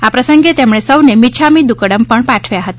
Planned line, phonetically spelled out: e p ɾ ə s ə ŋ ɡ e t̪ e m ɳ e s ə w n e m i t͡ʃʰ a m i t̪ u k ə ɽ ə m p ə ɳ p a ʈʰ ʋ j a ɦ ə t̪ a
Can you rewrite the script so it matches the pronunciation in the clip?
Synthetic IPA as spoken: a p ɾ ə s ə ŋ ɡ e t̪ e m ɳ e s ə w n e m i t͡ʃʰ a m i d̪ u k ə ɽ ə m p ə ɳ p a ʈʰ ʋ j a ɦ ə t̪ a